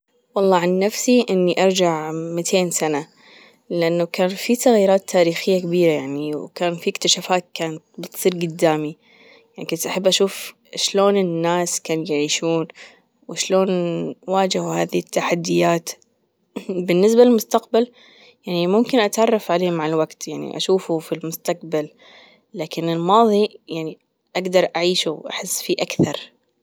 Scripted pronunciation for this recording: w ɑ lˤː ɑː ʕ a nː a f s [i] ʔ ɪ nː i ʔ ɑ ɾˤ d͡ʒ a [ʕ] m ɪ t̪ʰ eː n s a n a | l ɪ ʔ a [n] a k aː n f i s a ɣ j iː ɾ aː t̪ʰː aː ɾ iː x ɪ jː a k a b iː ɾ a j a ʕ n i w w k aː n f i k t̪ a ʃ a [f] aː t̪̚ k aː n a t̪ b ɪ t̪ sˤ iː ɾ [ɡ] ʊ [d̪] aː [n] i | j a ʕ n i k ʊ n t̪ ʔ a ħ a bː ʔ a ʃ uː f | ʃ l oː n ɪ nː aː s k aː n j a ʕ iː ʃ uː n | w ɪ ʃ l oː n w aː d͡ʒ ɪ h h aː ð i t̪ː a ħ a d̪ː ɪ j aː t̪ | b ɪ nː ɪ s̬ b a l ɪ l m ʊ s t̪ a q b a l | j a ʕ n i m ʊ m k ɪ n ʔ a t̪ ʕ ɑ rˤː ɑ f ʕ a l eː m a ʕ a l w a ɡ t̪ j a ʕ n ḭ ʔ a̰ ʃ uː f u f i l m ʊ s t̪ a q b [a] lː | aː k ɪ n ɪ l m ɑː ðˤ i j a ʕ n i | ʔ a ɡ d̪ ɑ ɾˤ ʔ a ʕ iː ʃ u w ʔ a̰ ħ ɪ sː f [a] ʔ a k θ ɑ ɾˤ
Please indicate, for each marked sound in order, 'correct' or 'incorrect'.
correct, correct, incorrect: nː, correct, correct, incorrect: d̪ː, incorrect: m, correct, incorrect: i

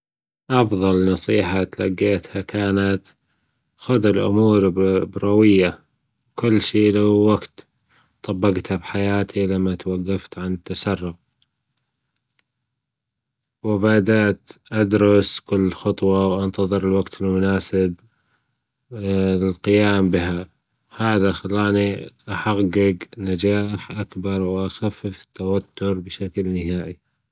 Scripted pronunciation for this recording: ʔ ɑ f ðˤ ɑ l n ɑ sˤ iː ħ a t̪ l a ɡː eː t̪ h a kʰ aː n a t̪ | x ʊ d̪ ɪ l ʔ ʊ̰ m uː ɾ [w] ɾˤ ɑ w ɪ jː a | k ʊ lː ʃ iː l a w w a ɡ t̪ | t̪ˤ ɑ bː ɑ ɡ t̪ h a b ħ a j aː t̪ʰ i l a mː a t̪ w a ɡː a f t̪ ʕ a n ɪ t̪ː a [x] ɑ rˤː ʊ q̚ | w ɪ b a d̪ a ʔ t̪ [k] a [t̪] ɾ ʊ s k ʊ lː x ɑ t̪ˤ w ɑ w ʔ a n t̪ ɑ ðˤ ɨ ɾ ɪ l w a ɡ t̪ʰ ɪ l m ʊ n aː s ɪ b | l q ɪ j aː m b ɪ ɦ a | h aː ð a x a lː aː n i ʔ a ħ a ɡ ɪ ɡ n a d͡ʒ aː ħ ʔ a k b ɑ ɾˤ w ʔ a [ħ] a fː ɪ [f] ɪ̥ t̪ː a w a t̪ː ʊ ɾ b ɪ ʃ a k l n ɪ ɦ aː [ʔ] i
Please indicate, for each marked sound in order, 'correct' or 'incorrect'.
incorrect: b, incorrect: s, incorrect: ʔ, incorrect: d̪, incorrect: x, correct, correct

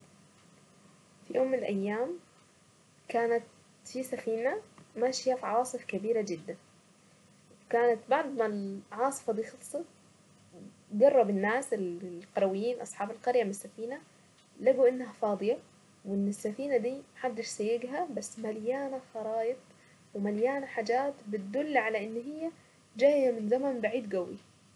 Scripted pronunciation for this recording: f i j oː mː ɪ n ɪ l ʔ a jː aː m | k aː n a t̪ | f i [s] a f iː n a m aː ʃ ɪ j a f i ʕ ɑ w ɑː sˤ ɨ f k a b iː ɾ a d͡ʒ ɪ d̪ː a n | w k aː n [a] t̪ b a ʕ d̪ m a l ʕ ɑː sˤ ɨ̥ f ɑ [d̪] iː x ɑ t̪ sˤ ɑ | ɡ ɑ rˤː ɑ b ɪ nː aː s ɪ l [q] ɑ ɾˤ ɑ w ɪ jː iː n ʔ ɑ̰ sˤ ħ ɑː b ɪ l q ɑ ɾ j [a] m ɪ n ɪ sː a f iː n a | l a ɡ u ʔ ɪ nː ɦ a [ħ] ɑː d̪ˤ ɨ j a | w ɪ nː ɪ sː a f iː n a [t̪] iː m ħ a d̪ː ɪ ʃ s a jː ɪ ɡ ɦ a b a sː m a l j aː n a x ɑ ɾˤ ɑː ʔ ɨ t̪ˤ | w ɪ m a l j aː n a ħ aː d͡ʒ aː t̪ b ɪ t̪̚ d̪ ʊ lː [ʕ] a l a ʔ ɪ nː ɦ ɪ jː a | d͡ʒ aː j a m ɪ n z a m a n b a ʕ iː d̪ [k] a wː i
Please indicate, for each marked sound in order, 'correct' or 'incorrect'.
correct, correct, correct, correct, correct, incorrect: f, incorrect: d̪, correct, incorrect: ɡ

